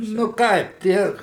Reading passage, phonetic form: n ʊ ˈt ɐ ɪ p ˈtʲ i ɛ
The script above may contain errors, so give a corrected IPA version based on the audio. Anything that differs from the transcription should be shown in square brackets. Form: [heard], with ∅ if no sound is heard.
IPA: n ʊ [ˈk] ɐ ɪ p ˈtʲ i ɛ